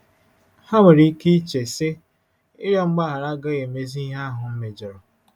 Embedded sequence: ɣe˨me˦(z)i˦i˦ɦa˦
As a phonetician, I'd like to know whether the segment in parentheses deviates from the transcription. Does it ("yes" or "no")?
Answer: no